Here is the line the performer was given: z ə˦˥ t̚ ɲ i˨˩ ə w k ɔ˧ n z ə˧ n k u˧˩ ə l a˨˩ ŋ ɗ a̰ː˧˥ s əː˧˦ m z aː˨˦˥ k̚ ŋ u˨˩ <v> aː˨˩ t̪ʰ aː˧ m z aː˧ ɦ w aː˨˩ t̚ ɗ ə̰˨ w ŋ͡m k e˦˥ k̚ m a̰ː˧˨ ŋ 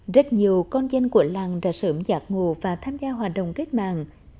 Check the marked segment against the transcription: correct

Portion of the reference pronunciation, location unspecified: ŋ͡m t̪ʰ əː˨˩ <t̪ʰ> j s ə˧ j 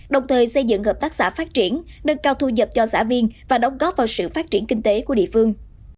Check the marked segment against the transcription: incorrect: none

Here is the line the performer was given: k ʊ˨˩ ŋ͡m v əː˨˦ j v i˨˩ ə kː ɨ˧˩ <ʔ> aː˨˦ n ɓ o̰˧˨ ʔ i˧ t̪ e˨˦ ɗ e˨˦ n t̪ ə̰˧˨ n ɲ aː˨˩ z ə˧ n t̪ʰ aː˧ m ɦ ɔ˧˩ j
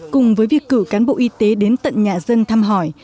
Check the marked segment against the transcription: incorrect: k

